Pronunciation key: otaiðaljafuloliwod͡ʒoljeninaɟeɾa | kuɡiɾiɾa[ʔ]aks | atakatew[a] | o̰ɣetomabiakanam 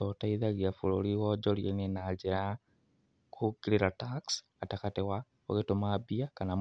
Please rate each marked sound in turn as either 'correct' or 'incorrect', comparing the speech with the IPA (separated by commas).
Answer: incorrect, correct